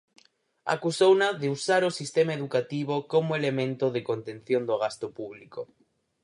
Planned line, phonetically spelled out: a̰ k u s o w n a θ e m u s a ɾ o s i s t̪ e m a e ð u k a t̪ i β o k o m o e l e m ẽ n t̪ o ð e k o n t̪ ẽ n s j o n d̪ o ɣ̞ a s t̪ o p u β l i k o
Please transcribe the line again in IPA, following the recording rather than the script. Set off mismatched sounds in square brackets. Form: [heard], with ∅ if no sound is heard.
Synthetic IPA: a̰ k u s o w n a [ð] e [∅] u s a ɾ o s i s t̪ e m a e ð u k a t̪ i β o k o m o e l e m ẽ n t̪ o ð e k o n t̪ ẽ n [θ] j o n d̪ o ɣ̞ a s t̪ o p u β l i k o